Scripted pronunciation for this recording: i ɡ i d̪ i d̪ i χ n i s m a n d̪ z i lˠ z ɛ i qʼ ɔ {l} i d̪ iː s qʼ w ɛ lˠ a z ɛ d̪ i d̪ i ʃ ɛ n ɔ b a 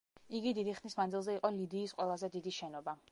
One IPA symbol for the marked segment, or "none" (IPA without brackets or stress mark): l